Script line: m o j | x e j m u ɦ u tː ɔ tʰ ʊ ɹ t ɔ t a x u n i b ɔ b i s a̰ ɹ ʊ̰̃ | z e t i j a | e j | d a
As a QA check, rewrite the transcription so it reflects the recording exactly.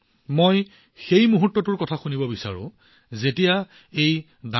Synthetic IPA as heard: m o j | x e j m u ɦ u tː ɔ t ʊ ɹ k ɔ tʰ a x u n i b ɔ b i s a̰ ɹ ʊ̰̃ | z e t i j a | e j | d a